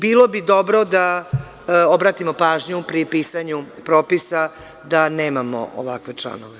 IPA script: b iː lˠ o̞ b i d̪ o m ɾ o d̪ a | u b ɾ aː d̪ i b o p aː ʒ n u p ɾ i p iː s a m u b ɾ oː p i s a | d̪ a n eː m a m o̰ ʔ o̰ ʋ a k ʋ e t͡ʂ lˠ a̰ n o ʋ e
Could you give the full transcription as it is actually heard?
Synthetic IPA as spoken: b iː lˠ o̞ b i d̪ o b ɾ o d̪ a | o b ɾ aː t̪ i m o p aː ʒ ɲ u p ɾ i p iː s a ɲ u p ɾ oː p i s a | d̪ a n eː m a m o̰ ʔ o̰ ʋ a k ʋ e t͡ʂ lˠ a̰ n o ʋ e